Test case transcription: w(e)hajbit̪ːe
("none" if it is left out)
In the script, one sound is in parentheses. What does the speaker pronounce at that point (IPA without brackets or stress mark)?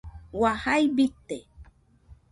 a